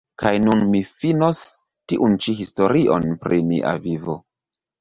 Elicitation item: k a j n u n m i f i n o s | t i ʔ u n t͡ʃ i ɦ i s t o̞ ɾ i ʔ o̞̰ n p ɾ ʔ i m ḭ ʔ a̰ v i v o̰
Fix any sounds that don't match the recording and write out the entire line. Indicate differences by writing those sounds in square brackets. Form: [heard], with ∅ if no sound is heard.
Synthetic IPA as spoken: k a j n u n m i f i n o s | t i ʔ u n t͡ʃ i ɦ i s t o̞ ɾ i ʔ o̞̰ n p ɾ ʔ i m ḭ ʔ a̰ v i v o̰